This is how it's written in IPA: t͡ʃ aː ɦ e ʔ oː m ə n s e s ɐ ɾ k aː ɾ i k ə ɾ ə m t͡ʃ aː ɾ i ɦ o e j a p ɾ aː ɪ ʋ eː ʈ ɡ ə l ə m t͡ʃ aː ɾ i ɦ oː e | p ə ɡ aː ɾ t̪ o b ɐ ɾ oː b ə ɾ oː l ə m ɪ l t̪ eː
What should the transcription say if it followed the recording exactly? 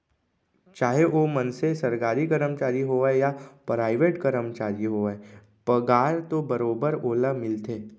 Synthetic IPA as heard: t͡ʃ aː ɦ e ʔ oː m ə n s e s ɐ ɾ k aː ɾ i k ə ɾ ə m t͡ʃ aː ɾ i ɦ o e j a p ɾ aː ɪ ʋ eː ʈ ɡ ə ɾ ə m t͡ʃ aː ɾ i ɦ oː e | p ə ɡ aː ɾ t̪ o b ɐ ɾ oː b ə ɾ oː l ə m ɪ l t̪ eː